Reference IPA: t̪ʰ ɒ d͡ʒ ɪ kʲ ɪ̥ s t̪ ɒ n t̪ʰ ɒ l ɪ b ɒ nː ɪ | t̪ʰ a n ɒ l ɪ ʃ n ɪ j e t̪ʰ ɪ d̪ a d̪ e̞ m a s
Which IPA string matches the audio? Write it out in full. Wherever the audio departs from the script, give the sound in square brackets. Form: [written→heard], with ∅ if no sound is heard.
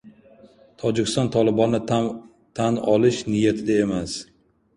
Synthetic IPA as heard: t̪ʰ ɒ d͡ʒ ɪ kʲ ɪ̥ s t̪ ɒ n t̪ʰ ɒ l ɪ b ɒ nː ɪ | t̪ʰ a n ɒ l ɪ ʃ n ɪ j [e→a] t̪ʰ ɪ d̪ a [d̪→∅] e̞ m a s